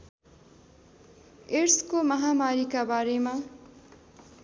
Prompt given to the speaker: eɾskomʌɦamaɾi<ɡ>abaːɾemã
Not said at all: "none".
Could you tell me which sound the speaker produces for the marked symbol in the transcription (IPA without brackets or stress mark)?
k